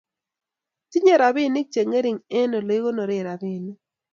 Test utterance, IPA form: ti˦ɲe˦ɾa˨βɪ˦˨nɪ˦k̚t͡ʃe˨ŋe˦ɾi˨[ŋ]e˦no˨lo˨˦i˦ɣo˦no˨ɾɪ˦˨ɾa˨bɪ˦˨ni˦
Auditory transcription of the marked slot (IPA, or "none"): ŋ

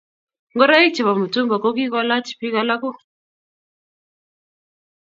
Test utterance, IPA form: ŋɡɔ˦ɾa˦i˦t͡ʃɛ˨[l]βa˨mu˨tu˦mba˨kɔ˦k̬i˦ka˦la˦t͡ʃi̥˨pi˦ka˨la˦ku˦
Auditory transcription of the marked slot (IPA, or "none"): none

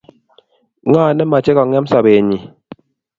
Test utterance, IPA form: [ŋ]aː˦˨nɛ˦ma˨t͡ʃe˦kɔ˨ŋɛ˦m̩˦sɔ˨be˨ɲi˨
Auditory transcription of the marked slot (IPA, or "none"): ŋ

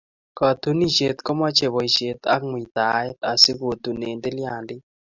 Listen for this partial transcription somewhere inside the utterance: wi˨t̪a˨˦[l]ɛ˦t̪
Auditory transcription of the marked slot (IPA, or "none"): none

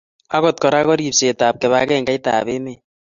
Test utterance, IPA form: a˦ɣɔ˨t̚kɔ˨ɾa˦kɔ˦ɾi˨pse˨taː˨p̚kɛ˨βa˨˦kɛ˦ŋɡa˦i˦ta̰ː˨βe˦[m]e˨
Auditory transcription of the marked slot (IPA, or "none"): m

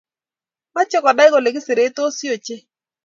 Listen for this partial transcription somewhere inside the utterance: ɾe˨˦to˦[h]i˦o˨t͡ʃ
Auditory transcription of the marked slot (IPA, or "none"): s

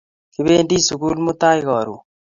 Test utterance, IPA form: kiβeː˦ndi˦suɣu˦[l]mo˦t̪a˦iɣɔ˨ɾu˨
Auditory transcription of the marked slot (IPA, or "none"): l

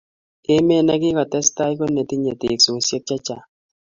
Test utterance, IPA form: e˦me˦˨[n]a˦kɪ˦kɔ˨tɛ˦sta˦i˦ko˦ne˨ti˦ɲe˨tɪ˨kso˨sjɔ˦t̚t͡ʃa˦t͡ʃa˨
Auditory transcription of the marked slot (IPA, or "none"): n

